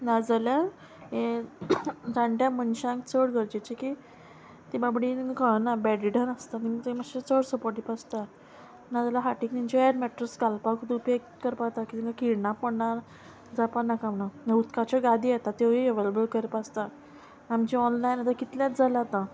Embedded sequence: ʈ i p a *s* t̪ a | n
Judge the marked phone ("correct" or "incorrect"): correct